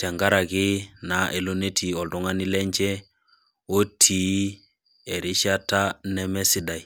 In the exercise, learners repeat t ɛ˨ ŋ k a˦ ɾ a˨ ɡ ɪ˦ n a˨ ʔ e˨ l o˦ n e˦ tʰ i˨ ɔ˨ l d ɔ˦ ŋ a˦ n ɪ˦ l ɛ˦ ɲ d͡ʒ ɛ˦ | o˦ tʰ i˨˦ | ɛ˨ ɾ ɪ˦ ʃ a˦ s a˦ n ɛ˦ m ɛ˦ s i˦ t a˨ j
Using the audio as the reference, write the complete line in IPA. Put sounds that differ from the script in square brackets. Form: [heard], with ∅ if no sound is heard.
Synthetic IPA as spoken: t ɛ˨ ŋ [ɡ] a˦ ɾ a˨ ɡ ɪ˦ n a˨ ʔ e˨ l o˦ n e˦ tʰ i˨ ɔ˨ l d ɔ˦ ŋ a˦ n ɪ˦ l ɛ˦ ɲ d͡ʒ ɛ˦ | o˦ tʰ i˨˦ | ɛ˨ ɾ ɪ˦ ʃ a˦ [t] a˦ n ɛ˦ m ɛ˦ s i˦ [d] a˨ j